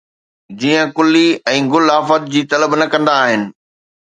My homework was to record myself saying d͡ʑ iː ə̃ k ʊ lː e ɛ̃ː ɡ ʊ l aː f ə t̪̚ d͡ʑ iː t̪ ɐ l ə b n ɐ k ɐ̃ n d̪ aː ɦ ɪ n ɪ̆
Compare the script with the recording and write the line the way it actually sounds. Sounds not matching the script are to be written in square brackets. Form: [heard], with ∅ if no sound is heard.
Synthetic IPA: d͡ʑ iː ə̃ k ʊ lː [i] ɛ̃ː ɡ ʊ l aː f ə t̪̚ d͡ʑ iː t̪ ɐ l ə b n ɐ k ɐ̃ n d̪ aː ɦ ɪ n ɪ̆